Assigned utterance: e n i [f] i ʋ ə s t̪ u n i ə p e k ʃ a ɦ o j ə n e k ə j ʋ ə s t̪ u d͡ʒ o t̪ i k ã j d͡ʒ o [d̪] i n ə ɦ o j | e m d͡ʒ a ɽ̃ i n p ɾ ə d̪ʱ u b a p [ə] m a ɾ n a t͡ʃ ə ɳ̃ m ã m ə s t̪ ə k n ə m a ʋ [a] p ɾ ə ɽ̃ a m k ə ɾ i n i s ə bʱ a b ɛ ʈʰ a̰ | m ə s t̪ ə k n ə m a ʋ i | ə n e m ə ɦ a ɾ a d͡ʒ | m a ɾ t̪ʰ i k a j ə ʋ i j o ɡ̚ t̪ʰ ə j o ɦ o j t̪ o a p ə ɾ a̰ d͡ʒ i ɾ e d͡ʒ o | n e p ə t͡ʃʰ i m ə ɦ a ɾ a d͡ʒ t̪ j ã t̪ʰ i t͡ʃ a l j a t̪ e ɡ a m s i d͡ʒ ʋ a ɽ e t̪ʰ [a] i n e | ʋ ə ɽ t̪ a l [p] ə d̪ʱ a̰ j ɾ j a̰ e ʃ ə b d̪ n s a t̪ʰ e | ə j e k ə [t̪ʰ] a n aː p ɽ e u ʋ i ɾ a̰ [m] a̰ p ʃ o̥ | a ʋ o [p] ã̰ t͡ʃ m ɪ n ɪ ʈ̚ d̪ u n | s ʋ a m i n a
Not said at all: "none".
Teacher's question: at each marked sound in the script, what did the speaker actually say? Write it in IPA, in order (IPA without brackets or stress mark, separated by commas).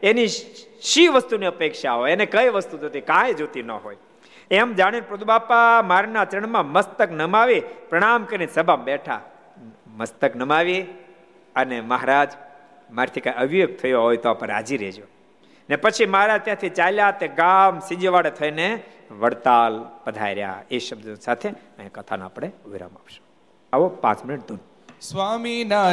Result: ʃ, t̪, a, i, ə, p, t̪ʰ, m, p